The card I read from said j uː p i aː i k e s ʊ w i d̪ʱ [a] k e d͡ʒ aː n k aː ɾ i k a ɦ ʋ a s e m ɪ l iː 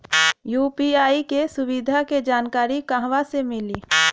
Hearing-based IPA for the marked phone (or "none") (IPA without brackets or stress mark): a